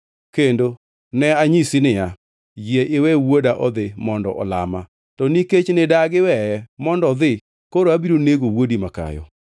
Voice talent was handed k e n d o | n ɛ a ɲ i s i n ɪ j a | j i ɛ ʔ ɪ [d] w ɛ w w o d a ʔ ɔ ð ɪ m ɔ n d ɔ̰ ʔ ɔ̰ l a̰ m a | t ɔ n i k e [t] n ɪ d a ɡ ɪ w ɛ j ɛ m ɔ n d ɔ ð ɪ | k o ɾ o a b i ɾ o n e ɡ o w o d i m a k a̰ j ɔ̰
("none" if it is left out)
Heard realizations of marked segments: none, t͡ʃ

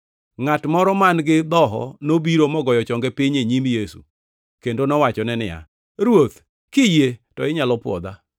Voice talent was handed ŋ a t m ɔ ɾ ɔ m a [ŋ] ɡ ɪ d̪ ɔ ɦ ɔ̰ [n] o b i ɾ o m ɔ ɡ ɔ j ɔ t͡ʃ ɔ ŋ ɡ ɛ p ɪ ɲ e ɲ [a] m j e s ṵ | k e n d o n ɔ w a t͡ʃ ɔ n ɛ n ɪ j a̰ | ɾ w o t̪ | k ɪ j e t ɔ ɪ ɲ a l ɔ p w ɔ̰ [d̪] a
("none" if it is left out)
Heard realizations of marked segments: n, n, i, d̪

